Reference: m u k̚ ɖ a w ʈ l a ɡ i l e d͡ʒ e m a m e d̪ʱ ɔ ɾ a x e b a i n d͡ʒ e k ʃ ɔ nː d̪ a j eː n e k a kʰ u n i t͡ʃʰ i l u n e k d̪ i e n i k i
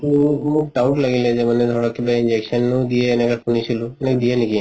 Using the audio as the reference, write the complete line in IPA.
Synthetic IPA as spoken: m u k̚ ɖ a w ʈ l a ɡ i l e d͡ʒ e m a n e d̪ʱ ɔ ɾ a k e b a i n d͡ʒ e k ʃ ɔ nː d̪ i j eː n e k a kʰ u n i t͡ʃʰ i l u n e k d̪ i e n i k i